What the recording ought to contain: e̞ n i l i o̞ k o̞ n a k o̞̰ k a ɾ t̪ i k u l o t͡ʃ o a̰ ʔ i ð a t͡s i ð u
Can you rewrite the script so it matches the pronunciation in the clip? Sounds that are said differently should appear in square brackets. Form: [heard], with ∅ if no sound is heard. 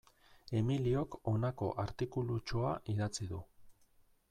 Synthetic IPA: e̞ [m] i l i o̞ k o̞ n a k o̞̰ [ʔ] a ɾ t̪ i k u l [u] t͡ʃ o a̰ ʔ i ð a t͡s i ð u